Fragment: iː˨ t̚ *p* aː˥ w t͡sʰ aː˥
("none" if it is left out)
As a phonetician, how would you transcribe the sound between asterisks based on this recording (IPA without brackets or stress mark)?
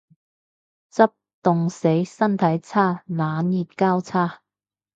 k